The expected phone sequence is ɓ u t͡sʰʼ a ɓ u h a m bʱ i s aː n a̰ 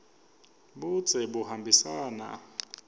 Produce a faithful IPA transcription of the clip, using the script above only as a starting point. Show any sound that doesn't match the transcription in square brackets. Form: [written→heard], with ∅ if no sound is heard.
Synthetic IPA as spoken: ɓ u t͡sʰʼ [a→ɛ] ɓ u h a m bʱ i s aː n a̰